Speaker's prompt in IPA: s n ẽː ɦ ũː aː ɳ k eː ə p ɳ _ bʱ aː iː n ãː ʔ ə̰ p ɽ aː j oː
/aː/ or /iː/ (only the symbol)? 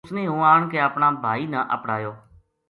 aː